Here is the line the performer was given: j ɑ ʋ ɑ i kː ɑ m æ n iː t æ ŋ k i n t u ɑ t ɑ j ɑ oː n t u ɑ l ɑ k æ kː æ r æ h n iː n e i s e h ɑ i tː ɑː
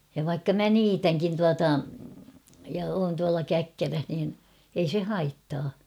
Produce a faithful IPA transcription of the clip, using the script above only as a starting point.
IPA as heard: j ɑ ʋ ɑ i kː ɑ m æ n iː t æ ŋ k i n t u ɑ t ɑ j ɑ oː n t u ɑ l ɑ k æ kː æ r æ h n iː n e i s e h ɑ i tː ɑː